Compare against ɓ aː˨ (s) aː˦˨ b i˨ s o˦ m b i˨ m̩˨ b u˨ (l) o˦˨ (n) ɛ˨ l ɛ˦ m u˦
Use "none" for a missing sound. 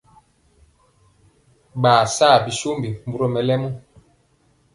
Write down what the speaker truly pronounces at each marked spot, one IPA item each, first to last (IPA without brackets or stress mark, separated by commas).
s, ɾ, m